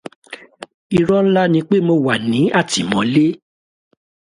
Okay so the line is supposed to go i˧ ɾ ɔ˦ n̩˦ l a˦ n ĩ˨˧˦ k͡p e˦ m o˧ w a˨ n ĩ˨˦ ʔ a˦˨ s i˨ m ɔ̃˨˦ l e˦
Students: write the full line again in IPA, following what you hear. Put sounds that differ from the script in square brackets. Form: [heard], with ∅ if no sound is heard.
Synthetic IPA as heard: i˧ ɾ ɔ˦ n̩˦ l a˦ n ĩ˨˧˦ k͡p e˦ m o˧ w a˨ n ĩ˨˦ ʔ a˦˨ [t] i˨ m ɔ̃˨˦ l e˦